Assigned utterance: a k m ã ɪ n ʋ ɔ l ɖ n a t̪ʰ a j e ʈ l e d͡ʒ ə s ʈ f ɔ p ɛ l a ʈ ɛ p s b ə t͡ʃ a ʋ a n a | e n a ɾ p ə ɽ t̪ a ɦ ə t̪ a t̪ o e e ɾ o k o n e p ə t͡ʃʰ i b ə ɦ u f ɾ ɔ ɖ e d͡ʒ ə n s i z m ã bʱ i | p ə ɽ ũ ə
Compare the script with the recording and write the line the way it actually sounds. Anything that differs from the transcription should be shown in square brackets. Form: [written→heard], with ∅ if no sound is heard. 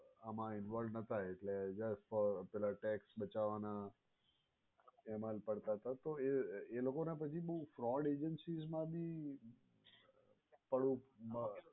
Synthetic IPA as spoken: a [k→∅] m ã ɪ n ʋ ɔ l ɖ n [a→ə] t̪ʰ a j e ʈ l e d͡ʒ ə s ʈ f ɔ p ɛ l a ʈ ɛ [p→k] s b ə t͡ʃ a ʋ a n a | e [n→m] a [ɾ→l] p ə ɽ t̪ a ɦ ə t̪ a t̪ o e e [ɾ→l] o k o n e p ə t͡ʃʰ i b ə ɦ u f ɾ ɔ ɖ e d͡ʒ ə n s i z m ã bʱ i | p ə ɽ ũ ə